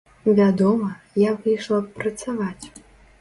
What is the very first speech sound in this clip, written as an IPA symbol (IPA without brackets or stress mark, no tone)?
vʲ